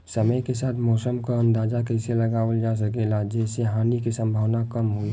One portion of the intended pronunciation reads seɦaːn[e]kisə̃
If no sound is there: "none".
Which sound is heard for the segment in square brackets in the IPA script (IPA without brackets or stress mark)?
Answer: i